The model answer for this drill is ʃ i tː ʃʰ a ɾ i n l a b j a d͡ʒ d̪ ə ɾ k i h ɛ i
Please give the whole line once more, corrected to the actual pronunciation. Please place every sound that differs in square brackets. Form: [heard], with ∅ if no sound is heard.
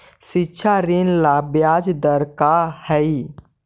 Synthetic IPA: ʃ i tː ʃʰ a ɾ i n l a b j a d͡ʒ d̪ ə ɾ k [a] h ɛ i

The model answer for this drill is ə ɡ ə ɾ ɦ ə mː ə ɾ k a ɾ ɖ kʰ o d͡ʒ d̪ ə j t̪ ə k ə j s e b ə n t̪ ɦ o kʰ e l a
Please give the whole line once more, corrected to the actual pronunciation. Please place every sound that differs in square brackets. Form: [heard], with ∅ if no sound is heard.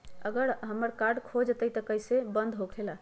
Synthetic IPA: ə ɡ ə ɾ ɦ ə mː ə ɾ k a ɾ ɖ kʰ o d͡ʒ [t̪] ə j t̪ ə k ə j s e b ə n [d̪] ɦ o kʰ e l a

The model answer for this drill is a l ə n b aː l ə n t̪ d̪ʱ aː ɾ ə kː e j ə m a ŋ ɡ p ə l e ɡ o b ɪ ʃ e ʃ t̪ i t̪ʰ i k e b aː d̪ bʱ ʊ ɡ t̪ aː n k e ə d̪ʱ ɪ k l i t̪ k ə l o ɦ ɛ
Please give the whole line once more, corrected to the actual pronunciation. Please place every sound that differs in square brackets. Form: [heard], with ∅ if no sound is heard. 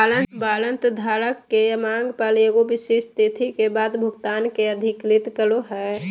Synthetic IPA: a l ə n b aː l ə n t̪ d̪ʱ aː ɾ ə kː e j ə m a ŋ ɡ p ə l e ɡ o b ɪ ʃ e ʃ t̪ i t̪ʰ i k e b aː d̪ bʱ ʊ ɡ t̪ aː n k e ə d̪ʱ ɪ k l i t̪ k ə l o ɦ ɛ

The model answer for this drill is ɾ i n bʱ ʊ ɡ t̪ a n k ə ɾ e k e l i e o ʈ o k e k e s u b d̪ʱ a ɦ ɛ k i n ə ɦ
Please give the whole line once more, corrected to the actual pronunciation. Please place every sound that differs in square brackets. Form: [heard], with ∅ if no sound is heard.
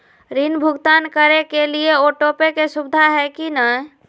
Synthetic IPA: ɾ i n bʱ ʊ ɡ t̪ a n k ə ɾ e k e l i e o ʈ o [p] e k e s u b d̪ʱ a ɦ ɛ k i n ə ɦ

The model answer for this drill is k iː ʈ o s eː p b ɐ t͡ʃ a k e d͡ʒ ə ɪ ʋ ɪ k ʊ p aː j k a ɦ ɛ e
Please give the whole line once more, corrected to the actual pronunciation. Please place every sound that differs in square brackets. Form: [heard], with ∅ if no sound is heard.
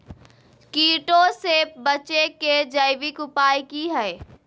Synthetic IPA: k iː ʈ o s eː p b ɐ t͡ʃ [e] k e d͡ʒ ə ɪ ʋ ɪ k ʊ p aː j k [i] ɦ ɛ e

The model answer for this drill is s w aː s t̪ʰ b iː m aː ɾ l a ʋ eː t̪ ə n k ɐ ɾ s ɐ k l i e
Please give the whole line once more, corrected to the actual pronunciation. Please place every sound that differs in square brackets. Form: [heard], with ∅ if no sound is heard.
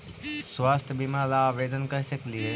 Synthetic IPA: s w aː s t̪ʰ b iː m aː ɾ l a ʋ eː [d̪] ə n k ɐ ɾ s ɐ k l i e

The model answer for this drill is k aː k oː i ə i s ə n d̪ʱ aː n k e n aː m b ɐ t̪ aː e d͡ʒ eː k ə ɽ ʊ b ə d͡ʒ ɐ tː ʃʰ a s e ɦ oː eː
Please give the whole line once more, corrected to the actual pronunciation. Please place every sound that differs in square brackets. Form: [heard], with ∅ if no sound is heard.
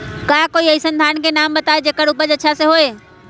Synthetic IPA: k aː k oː i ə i s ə n d̪ʱ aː n k e n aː m b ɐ t̪ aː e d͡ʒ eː k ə ɽ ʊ [p] ə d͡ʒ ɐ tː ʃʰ a s e ɦ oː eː

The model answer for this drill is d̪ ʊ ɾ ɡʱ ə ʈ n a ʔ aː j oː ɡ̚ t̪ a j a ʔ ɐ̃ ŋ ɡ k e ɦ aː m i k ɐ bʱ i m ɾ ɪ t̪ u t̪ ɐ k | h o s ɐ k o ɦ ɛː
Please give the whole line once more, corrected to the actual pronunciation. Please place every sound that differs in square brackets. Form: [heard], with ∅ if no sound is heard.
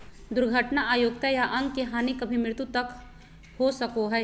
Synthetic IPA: d̪ ʊ ɾ ɡʱ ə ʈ n a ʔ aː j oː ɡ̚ t̪ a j a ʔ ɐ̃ ŋ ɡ k e ɦ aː [n] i k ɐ bʱ i m ɾ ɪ t̪ u t̪ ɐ k | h o s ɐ k o ɦ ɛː

